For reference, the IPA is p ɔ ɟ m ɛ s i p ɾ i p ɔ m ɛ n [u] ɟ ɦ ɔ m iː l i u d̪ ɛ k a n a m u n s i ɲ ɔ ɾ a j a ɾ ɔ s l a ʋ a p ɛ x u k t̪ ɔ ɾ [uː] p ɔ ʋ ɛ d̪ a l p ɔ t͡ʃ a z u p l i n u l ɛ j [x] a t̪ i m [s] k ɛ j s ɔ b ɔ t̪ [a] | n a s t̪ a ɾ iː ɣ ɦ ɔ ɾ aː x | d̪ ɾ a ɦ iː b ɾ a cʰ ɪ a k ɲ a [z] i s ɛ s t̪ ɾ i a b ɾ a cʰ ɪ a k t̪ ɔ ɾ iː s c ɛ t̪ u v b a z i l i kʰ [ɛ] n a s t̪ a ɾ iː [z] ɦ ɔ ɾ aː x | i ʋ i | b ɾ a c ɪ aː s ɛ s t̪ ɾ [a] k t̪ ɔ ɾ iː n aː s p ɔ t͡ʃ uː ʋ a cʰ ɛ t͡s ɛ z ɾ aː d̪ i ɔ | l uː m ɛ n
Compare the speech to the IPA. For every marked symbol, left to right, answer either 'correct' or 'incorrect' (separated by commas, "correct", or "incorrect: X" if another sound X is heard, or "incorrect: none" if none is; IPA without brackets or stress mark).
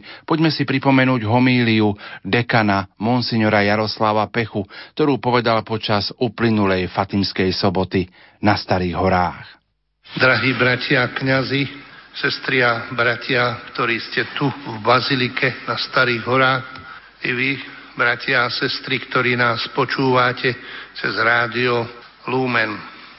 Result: incorrect: uː, correct, incorrect: f, correct, incorrect: i, correct, correct, incorrect: ɣ, incorrect: i